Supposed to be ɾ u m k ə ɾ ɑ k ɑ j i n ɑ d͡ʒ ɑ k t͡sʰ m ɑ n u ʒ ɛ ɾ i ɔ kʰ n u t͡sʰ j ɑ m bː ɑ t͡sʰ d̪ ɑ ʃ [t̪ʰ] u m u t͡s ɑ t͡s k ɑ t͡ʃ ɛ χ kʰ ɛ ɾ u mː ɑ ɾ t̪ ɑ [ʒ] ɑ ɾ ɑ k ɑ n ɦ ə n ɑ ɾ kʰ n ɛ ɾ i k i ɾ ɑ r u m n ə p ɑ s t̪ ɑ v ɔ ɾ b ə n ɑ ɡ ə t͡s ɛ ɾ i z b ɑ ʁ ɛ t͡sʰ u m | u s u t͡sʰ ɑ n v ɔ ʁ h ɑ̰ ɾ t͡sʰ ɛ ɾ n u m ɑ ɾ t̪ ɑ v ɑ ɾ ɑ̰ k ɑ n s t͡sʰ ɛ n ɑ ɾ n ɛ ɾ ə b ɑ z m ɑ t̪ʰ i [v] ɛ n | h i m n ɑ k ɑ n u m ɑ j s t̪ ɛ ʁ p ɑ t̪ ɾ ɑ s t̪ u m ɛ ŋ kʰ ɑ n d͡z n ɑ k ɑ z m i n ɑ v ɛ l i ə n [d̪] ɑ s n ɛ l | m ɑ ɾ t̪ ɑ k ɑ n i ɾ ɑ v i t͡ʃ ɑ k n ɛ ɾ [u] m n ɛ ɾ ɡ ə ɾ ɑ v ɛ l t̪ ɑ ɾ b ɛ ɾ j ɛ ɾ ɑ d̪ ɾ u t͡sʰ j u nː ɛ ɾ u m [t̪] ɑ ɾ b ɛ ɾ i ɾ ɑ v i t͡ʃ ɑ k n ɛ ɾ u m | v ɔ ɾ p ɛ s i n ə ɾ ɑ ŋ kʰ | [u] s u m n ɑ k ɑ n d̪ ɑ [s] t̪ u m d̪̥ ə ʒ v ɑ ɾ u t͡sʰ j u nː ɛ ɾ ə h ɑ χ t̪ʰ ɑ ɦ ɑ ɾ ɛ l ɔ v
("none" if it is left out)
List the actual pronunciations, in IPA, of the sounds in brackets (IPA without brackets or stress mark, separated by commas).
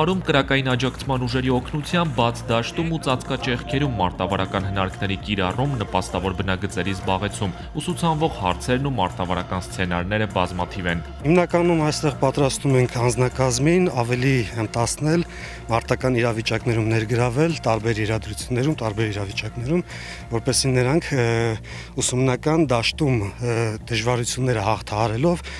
t̪, v, v, t̪, u, t̪, u, ʃ